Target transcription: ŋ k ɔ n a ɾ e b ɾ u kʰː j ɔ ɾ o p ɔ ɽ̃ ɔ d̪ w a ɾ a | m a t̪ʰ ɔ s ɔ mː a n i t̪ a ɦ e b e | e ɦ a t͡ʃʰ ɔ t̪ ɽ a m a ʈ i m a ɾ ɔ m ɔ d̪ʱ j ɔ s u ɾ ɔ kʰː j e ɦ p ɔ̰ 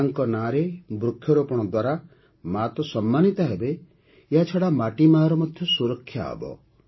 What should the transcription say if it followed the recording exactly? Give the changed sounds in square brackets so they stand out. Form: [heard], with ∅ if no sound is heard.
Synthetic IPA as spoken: ŋ k ɔ n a ɾ e b ɾ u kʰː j ɔ ɾ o p ɔ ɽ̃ ɔ d̪ w a ɾ a | m a [t̪] ɔ s ɔ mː a n i t̪ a ɦ e b e | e ɦ a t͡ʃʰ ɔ [∅] ɽ a m a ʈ i m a ɾ ɔ m ɔ d̪ʱ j ɔ s u ɾ ɔ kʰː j [a] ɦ [b] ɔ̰